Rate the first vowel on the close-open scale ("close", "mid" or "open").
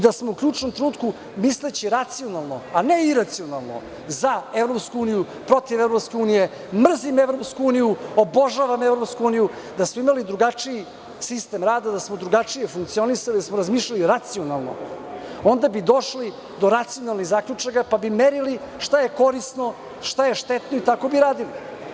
open